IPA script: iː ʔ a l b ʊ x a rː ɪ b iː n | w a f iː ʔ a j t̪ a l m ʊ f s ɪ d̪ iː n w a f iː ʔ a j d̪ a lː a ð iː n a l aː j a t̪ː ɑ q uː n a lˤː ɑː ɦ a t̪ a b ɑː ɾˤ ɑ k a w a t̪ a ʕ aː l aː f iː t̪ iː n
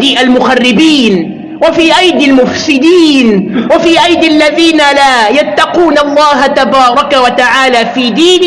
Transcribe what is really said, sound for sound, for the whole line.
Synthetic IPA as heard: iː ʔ a l m ʊ x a rː ɪ b iː n | w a f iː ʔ a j d̪ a l m ʊ f s ɪ d̪ iː n w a f iː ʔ a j d̪ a lː a ð iː n a l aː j a t̪ː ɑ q uː n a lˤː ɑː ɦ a t̪ a b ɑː ɾˤ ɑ k a w a t̪ a ʕ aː l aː f iː d̪ iː n